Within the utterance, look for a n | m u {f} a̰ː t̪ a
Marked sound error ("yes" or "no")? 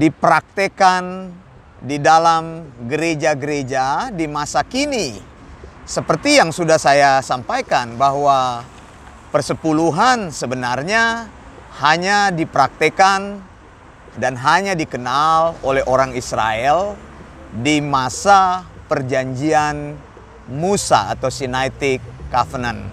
yes